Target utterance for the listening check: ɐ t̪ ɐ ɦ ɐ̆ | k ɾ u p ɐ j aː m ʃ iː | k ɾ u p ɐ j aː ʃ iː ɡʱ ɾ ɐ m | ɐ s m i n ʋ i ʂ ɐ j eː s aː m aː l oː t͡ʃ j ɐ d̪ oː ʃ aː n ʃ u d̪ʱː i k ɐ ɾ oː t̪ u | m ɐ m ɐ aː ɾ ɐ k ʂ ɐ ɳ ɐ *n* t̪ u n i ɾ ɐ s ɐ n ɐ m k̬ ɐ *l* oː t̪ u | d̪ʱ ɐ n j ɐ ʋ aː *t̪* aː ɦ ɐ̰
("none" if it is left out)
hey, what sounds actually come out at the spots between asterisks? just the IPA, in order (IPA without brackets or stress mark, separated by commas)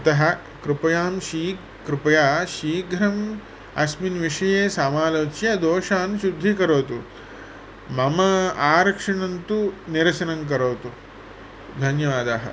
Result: n, ɾ, d̪